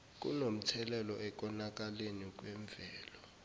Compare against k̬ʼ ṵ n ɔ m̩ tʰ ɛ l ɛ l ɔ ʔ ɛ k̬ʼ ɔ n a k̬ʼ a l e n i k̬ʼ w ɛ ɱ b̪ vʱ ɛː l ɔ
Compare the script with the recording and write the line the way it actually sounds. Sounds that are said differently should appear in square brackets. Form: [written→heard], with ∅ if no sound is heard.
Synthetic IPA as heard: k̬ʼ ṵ n [ɔ→o] m̩ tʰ ɛ l ɛ l ɔ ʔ ɛ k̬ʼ ɔ n a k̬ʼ a l e n i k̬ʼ w ɛ ɱ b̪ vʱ ɛː l ɔ